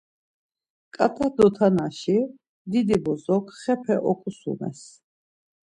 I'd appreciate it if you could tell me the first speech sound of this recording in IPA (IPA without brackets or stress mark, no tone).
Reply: kʼ